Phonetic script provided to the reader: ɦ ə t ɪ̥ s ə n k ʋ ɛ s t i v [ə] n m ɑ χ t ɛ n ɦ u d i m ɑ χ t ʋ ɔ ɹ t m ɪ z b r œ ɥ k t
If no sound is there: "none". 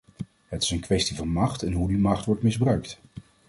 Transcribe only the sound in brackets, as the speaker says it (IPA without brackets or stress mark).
ɑ